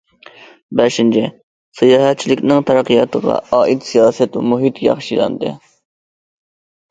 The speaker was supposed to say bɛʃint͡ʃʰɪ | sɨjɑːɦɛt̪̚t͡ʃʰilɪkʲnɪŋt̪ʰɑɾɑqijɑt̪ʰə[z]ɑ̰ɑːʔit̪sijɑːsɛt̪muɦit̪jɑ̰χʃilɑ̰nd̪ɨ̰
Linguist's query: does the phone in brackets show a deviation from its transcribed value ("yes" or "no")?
yes